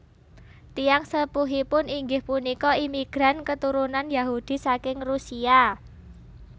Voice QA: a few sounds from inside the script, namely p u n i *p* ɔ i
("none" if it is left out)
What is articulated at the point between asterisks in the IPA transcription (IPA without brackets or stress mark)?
k